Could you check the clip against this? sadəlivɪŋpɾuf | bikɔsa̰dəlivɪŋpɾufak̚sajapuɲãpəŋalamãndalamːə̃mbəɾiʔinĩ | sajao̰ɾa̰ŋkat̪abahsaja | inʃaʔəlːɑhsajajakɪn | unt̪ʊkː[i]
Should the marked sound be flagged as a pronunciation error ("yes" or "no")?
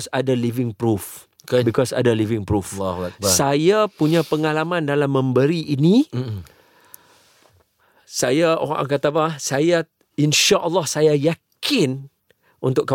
yes